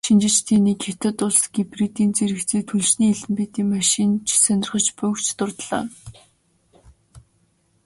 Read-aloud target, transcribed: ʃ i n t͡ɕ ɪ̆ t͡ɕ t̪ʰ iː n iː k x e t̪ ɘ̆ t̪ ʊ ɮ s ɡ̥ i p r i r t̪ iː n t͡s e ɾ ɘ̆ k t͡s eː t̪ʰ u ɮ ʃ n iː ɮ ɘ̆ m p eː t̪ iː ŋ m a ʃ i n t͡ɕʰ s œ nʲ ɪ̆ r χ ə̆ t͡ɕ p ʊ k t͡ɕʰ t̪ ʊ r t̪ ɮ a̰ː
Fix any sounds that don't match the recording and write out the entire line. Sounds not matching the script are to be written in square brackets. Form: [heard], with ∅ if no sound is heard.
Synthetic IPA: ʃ i n t͡ɕ ɪ̆ t͡ɕ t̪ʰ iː n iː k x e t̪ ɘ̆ t̪ ʊ ɮ s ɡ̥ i p r i [∅] t̪ iː n t͡s e ɾ ɘ̆ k t͡s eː t̪ʰ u ɮ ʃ n iː ɮ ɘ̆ m p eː t̪ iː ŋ m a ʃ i n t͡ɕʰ s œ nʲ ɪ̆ r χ ə̆ t͡ɕ p ʊ k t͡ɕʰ t̪ ʊ r t̪ ɮ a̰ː